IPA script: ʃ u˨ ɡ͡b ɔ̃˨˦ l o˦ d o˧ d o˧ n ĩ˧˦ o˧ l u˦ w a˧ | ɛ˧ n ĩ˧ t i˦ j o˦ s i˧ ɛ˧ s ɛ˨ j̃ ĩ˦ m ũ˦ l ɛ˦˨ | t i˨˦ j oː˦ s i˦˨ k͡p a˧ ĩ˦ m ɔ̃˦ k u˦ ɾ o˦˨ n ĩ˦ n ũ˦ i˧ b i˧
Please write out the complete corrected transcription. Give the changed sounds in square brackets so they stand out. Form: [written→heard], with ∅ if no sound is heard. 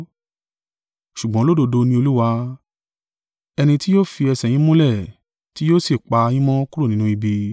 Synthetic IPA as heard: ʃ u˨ ɡ͡b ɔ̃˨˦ l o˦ d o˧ d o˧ n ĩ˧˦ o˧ l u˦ w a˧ | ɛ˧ n ĩ˧ t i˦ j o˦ [s→f] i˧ ɛ˧ s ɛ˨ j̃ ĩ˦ m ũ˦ l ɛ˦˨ | t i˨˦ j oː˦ s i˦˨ k͡p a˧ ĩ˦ m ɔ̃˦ k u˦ ɾ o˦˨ n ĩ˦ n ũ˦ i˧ b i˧

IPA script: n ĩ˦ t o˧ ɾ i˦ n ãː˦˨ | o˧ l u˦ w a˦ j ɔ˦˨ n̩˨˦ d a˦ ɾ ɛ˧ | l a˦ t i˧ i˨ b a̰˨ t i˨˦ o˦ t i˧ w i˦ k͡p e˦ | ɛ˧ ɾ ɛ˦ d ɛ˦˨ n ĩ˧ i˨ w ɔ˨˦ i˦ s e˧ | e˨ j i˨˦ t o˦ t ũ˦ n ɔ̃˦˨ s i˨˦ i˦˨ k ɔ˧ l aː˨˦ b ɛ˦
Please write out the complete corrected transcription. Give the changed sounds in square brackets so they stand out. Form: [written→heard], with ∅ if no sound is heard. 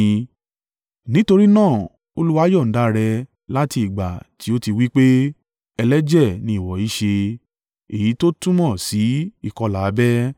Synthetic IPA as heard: n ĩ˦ t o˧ ɾ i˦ n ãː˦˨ | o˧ l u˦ w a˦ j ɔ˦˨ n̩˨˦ d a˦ ɾ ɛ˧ | l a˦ t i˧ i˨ [b→ɡ͡b] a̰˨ t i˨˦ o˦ t i˧ w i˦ k͡p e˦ | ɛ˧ [ɾ→l] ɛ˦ [d→d͡ʒ] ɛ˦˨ n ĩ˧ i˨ w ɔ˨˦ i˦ [s→ʃ] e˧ | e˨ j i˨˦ t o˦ t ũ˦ [n→m] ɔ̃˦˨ s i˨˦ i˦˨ k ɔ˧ l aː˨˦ b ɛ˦

